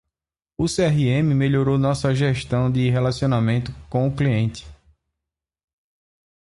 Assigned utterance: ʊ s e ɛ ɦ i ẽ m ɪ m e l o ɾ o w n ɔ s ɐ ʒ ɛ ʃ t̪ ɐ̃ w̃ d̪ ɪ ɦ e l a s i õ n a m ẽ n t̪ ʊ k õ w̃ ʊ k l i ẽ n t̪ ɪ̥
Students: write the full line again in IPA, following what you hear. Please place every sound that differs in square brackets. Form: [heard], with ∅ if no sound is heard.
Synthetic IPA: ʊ s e ɛ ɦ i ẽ m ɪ m e [ʎ] o ɾ o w n ɔ s ɐ ʒ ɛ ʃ t̪ ɐ̃ w̃ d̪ ɪ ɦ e l a s i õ n a m ẽ n t̪ ʊ k õ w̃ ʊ k l i ẽ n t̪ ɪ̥